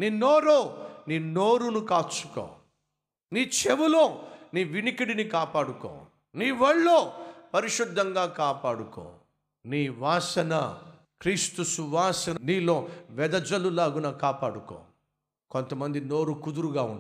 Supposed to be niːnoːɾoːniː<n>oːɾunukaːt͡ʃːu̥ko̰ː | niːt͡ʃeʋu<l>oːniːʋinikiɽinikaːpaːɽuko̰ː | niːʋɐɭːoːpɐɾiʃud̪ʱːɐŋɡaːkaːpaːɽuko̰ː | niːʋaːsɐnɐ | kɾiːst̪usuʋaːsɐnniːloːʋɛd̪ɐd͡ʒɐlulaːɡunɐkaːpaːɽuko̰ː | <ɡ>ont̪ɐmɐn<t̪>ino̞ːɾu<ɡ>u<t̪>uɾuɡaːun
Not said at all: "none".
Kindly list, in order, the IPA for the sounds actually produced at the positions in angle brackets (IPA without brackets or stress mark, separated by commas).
n, l, k, d̪, k, d̪